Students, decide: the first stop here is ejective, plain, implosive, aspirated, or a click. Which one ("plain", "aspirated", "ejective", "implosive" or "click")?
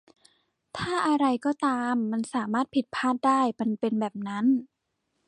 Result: aspirated